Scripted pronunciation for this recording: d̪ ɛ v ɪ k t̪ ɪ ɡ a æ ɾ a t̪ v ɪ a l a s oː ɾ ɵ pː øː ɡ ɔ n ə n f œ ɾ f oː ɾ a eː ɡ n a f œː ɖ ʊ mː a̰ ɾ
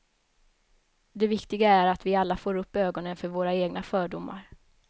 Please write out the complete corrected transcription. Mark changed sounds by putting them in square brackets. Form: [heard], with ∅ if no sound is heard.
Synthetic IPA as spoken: d̪ ɛ v ɪ k t̪ ɪ ɡ a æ ɾ a t̪ v ɪ a [lː] a [f] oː ɾ ɵ pː øː ɡ ɔ n ə n f œ ɾ [v] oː ɾ a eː ɡ n a f œː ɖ ʊ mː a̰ ɾ